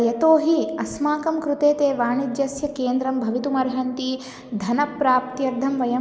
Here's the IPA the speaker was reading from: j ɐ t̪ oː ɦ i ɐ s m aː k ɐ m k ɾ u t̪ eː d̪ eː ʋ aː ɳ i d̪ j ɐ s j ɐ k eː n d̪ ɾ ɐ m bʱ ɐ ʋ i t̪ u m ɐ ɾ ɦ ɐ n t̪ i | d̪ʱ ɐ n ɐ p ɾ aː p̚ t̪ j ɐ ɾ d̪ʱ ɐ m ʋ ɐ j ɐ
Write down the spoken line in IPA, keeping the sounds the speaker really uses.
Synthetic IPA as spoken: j ɐ t̪ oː ɦ i ɐ s m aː k ɐ m k ɾ u t̪ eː t̪ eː ʋ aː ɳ i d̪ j ɐ s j ɐ k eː n d̪ ɾ ɐ m bʱ ɐ ʋ i t̪ u m ɐ ɾ ɦ ɐ n t̪ i | d̪ʱ ɐ n ɐ p ɾ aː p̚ t̪ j ɐ ɾ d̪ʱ ɐ m ʋ ɐ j ɐ